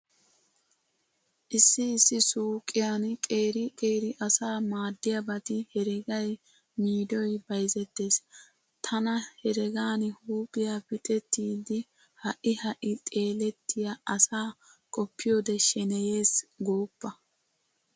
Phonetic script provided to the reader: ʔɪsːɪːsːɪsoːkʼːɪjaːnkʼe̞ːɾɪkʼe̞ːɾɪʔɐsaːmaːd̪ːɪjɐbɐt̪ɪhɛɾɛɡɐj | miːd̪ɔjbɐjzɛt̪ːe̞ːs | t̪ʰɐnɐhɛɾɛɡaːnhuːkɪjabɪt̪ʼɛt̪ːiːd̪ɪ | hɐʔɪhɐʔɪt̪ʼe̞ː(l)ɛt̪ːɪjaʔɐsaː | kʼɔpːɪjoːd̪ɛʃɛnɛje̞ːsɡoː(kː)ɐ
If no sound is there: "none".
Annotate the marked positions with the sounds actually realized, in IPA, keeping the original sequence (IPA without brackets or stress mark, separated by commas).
l, pː